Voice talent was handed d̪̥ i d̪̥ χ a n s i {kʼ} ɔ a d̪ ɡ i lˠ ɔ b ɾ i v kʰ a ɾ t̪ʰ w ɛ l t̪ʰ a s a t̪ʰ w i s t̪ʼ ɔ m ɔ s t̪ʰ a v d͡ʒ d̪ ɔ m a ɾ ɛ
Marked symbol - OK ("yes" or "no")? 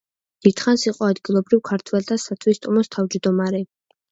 no